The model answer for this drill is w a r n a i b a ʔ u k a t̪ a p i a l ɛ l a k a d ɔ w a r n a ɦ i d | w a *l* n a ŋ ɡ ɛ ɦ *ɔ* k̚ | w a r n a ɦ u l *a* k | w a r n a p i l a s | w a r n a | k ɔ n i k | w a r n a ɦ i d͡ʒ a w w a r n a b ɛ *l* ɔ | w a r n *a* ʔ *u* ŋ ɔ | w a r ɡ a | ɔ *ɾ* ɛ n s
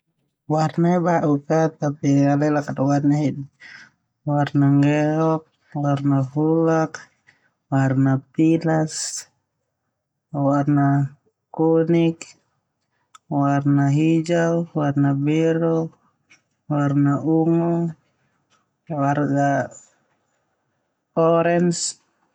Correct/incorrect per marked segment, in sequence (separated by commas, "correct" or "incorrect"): incorrect, correct, correct, incorrect, correct, correct, correct